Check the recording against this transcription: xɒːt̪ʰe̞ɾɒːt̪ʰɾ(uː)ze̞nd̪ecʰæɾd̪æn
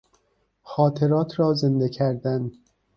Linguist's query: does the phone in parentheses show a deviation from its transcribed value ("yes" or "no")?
yes